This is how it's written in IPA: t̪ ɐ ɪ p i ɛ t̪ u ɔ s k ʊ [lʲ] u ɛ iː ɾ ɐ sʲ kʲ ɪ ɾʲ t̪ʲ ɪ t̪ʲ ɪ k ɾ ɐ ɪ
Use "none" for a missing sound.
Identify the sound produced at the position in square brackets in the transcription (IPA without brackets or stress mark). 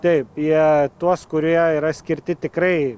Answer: ɾʲ